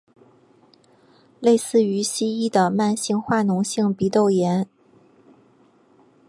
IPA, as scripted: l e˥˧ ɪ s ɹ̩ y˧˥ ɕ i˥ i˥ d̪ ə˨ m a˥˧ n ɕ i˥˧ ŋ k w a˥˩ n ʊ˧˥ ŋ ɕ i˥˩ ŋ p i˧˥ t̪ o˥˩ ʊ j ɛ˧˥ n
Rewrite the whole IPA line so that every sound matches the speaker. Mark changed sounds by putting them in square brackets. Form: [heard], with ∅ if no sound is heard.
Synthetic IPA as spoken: l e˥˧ ɪ s ɹ̩ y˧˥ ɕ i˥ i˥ d̪ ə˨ m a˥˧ n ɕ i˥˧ ŋ [x] w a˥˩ n ʊ˧˥ ŋ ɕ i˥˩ ŋ p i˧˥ t̪ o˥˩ ʊ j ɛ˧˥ n